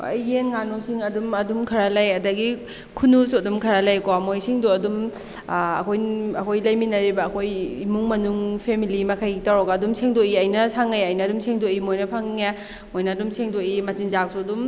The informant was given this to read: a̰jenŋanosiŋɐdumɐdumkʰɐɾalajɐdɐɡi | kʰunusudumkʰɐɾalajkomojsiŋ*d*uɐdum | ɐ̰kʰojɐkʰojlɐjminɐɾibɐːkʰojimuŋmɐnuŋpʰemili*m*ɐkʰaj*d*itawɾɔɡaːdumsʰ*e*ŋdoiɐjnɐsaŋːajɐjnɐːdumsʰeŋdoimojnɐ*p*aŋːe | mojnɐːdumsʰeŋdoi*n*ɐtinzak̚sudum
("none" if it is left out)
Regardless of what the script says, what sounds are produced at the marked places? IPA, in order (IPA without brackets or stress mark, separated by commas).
d, m, ɡ, e, pʰ, m